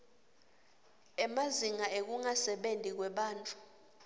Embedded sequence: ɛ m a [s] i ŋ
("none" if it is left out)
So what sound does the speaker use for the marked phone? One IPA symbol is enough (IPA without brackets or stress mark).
z